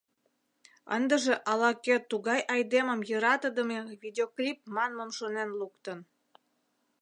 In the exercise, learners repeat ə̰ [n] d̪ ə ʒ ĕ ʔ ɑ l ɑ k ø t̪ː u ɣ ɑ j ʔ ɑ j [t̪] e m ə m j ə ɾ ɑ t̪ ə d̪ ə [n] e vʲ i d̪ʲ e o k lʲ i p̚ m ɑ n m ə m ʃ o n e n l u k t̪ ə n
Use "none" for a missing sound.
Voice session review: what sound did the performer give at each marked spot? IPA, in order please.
n, d̪, m

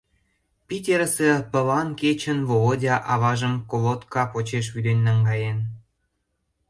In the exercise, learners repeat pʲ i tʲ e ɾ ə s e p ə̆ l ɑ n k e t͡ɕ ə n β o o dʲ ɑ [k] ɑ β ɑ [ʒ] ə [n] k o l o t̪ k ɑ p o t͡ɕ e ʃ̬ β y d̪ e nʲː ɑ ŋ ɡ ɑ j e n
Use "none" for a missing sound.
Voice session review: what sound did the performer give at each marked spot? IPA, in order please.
ʔ, ʒ, m

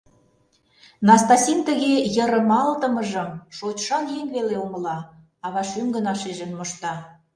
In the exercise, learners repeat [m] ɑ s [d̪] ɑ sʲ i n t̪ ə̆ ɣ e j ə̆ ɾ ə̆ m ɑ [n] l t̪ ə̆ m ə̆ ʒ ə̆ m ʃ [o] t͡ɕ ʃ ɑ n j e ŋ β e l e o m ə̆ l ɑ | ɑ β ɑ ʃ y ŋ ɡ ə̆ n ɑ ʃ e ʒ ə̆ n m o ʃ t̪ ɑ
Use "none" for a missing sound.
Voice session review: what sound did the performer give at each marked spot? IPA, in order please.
n, t̪, none, o

